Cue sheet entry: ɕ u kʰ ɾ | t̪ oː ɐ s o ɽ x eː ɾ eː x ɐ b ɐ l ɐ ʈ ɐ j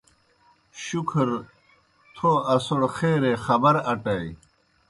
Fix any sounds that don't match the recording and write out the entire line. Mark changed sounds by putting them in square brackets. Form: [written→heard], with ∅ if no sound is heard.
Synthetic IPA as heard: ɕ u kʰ ɾ | [t̪→t̪ʰ] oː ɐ s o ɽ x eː ɾ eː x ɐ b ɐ [l→ɾ] ɐ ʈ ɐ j